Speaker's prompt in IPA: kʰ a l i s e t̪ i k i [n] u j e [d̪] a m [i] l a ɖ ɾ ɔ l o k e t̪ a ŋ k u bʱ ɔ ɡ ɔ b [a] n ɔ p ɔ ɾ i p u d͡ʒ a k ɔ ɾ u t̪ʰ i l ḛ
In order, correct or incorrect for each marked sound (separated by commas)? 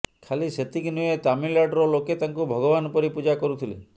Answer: correct, incorrect, correct, correct